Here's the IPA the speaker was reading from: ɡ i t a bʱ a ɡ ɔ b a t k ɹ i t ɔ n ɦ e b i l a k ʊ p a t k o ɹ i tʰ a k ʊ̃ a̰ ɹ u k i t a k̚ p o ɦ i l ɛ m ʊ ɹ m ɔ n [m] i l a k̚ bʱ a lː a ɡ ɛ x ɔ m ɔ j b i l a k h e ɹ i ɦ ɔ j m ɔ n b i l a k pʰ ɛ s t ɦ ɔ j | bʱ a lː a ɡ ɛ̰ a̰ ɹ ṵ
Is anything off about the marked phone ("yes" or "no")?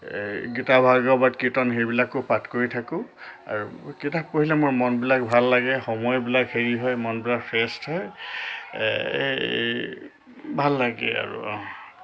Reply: yes